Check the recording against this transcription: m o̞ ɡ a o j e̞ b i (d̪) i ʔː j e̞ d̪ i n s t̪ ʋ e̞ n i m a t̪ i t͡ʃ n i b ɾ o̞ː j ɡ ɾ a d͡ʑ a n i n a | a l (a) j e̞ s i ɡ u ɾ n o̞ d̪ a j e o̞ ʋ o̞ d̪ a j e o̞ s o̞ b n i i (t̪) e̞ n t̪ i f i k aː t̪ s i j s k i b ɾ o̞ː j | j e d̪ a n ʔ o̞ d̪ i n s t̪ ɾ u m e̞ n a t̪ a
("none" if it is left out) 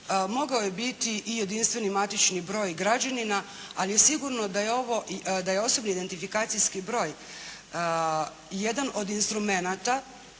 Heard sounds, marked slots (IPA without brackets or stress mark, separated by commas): t̪, i, d̪